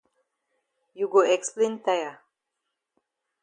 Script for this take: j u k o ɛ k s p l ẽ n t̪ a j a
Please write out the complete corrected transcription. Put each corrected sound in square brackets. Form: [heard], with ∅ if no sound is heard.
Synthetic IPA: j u [ɡ] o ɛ k s p l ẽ n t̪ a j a